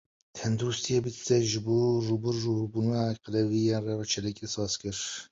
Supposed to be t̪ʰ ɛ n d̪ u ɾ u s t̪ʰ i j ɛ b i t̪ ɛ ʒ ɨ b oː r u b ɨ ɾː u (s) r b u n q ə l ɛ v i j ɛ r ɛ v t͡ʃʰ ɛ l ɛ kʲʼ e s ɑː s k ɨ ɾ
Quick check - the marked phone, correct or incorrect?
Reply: incorrect